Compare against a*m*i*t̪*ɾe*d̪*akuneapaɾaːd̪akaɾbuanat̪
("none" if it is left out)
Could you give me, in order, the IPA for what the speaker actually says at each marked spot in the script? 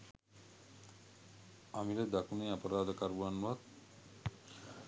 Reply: m, none, d̪

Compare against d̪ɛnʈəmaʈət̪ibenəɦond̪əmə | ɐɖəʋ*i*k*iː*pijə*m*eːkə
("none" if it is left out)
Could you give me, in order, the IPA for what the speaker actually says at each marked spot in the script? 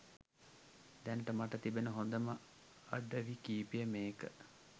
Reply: i, iː, m

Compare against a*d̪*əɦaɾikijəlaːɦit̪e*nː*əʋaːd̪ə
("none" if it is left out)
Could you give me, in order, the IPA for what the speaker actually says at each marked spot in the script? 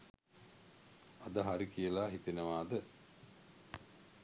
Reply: d̪, n

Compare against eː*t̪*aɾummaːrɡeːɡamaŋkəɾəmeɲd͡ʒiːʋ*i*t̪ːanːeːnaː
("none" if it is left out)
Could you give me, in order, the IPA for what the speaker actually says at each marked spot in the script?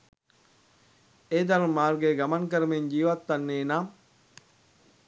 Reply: d̪, a

